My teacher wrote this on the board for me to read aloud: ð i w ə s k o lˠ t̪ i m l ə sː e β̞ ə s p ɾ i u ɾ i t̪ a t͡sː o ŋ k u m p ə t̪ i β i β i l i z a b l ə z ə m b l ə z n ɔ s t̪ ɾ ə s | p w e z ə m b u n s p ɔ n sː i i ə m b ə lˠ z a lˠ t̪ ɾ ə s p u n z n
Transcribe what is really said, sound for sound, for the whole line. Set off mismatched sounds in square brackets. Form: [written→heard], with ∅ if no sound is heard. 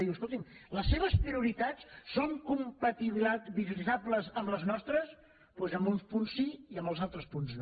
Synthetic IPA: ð i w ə s k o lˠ t̪ i m l ə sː e β̞ ə s p ɾ i u ɾ i t̪ a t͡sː o ŋ k u m p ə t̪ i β i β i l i z a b l ə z ə m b l ə z n ɔ s t̪ ɾ ə s | p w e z ə m b u n s p [ɔ→u] n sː i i ə m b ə lˠ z a lˠ t̪ ɾ ə s p u n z n

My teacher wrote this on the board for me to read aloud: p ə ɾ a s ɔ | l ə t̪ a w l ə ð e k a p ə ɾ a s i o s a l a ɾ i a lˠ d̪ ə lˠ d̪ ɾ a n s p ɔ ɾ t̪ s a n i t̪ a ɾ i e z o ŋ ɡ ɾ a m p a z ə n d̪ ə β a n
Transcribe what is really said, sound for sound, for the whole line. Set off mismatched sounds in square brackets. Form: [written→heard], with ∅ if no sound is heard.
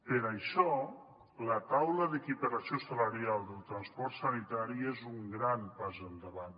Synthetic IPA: p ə ɾ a [s→ʃ] ɔ | l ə t̪ a w l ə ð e k [a→i] p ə ɾ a s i o s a l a ɾ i a lˠ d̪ ə lˠ [d̪→t̪] ɾ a n s p ɔ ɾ t̪ s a n i t̪ a ɾ i e z [o→u] ŋ ɡ ɾ a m p a z ə n d̪ ə β a n

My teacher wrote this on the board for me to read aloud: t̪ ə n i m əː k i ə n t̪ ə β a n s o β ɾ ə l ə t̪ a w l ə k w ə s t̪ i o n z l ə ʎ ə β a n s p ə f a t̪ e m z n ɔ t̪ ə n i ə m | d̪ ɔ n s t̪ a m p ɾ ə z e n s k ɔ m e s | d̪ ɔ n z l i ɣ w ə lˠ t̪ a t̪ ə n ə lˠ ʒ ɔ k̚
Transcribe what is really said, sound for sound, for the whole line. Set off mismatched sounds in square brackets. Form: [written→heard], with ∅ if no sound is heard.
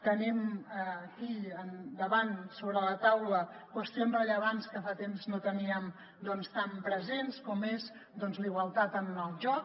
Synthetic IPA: t̪ ə n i m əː k i ə n [t̪→d̪] ə β a n s o β ɾ ə l ə t̪ a w l ə k w ə s t̪ i o n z [l→r] ə ʎ ə β a n s [p→k] ə f a t̪ e m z n [ɔ→o] t̪ ə n i ə m | d̪ ɔ n s t̪ a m p ɾ ə z e n s k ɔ m e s | d̪ ɔ n z l i ɣ w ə lˠ t̪ a t̪ ə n ə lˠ ʒ ɔ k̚

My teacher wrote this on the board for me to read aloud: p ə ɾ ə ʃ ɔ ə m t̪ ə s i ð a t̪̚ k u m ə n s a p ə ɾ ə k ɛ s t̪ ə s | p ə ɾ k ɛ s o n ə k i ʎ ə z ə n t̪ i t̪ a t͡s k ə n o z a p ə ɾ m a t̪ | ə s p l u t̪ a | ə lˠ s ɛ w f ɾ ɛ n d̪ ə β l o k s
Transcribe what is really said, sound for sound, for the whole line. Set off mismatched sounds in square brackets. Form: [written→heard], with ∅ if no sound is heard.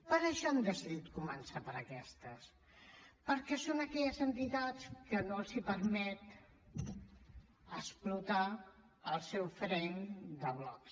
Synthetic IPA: p ə ɾ ə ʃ ɔ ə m [t̪→d̪] ə s i ð [a→i] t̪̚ k u m ə n s a p ə ɾ ə k ɛ s t̪ ə s | p ə ɾ k ɛ s o n ə k [i→ɛ] ʎ ə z ə n t̪ i t̪ a t͡s k ə n o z [a→i] p ə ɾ m [a→ɛ] t̪ | ə s p l u t̪ a | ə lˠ s ɛ w f ɾ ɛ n d̪ ə β l [o→ɔ] k s

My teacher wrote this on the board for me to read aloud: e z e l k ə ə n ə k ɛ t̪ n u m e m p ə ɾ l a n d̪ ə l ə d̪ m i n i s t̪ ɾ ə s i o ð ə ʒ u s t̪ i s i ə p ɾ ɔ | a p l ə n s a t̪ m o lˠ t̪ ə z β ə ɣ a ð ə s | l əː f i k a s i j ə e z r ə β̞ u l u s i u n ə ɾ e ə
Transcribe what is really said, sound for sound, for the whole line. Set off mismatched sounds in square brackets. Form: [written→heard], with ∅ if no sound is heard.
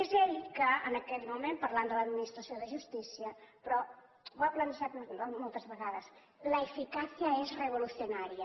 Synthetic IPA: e z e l k ə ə n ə k ɛ t̪ [n→m] u m e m p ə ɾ l a n d̪ ə l ə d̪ m i n i s t̪ ɾ ə s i o ð ə ʒ u s t̪ i s i ə p ɾ ɔ | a p l ə n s a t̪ m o lˠ t̪ ə z β ə ɣ a ð ə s | l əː f i k a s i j ə e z r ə β̞ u l u s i u n [ə→a] ɾ [e→i] ə

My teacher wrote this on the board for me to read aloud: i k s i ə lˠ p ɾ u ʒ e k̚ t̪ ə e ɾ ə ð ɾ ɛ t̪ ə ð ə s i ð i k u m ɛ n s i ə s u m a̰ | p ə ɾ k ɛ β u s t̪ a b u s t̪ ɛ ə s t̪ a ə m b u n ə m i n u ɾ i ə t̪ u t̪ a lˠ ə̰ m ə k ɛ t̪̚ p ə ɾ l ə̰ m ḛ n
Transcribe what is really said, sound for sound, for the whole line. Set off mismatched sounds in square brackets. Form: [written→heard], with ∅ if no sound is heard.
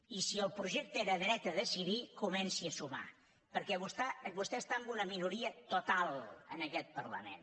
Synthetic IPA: i [k→∅] s i ə lˠ p ɾ u ʒ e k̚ t̪ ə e ɾ ə ð ɾ ɛ t̪ ə ð ə s i ð i k u m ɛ n s i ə s u m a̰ | p ə ɾ k ɛ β u s t̪ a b u s t̪ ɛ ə s t̪ a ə m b u n ə m i n u ɾ i ə t̪ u t̪ a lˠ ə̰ [m→n] ə k ɛ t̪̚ p ə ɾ l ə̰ m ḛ n

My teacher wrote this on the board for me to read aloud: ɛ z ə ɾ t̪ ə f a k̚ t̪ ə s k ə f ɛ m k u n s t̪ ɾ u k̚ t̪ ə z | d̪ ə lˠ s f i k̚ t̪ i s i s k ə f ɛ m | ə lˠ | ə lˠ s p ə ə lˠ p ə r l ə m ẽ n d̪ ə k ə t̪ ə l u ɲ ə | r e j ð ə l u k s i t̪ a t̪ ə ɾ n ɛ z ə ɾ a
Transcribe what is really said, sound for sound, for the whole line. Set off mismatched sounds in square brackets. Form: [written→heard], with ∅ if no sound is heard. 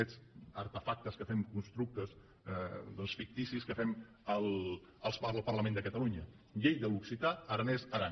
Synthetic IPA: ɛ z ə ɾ t̪ ə f a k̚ t̪ ə s k ə f ɛ m k u n s t̪ ɾ u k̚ t̪ ə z | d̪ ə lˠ s f i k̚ t̪ i s i s k ə f ɛ m | ə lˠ | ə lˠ s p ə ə lˠ p ə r l ə m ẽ n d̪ ə k ə t̪ ə l u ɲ ə | [r→ʎ] e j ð ə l u k s i t̪ a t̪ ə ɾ n ɛ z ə ɾ a

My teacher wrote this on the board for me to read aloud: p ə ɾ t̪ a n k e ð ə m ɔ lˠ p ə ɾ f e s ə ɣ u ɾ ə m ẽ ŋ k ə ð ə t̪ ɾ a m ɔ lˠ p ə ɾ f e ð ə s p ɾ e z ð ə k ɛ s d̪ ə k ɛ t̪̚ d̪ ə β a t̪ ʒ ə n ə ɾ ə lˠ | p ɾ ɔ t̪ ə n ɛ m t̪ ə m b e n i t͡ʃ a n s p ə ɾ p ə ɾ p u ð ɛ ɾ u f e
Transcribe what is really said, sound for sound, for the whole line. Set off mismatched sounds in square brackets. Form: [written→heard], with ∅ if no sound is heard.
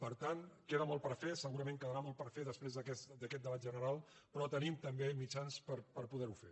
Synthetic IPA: p ə ɾ t̪ a n k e ð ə m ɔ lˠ p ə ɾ f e s ə ɣ u ɾ ə m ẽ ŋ k ə ð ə [t̪→∅] ɾ a m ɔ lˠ p ə ɾ f e ð ə s p ɾ e z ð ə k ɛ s d̪ ə k ɛ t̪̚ d̪ ə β a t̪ ʒ ə n ə ɾ [ə→a] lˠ | p ɾ ɔ t̪ ə n [ɛ→i] m t̪ ə m b e [n→m] i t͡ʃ a n s p ə ɾ p ə ɾ p u ð ɛ ɾ u f e

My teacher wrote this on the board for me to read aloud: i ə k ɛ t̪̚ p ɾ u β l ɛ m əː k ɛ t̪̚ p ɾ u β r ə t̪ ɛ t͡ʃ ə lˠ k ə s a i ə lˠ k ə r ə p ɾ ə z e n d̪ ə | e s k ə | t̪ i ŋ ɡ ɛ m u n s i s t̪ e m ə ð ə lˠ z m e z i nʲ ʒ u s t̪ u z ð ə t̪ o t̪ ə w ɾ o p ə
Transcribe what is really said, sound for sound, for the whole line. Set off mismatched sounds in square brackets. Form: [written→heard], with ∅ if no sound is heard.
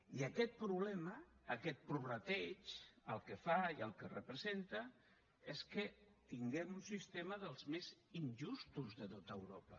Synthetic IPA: i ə k ɛ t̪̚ p ɾ u β l ɛ m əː k ɛ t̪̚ p ɾ u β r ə t̪ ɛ t͡ʃ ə lˠ k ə [s→f] a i ə lˠ k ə r ə p ɾ ə z e n [d̪→t̪] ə | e s k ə | t̪ i ŋ ɡ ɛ m u n s i s t̪ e m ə ð ə lˠ z m e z i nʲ ʒ u s t̪ u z ð ə t̪ o t̪ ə w ɾ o p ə

